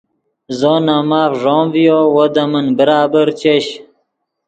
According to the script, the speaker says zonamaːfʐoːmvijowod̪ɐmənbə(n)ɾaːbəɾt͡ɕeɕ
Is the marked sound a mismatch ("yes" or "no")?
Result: yes